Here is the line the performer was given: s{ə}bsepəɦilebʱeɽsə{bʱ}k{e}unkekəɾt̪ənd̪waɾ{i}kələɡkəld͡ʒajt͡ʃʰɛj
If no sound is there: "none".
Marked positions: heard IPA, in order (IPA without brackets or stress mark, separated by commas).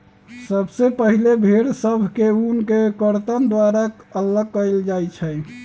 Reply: ə, bʱ, e, a